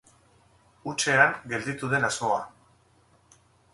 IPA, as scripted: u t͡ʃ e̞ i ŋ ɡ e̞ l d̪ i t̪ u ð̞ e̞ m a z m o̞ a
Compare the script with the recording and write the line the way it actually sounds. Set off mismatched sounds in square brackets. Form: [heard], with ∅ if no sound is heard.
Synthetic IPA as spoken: u t͡ʃ e̞ [a] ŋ ɡ e̞ l d̪ i t̪ u ð̞ e̞ [n] a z m o̞ a